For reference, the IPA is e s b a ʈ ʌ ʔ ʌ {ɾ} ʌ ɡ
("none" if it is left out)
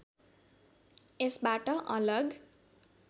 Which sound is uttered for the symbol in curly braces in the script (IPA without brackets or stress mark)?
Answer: l